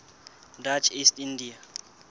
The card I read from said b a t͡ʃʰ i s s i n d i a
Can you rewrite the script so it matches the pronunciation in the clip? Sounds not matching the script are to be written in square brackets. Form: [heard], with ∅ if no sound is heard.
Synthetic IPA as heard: [d] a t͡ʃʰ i s [t] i n d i a